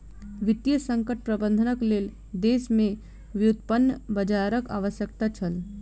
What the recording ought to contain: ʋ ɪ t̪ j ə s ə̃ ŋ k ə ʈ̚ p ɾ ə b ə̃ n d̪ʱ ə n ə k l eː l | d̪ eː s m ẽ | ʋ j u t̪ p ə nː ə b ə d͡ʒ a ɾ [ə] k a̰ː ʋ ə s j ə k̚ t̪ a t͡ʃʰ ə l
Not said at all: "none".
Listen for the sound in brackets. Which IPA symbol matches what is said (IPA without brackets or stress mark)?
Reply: ə